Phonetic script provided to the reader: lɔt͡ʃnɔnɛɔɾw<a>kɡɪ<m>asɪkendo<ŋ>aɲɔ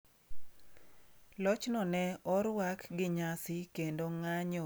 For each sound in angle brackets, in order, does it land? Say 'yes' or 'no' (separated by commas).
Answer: yes, no, yes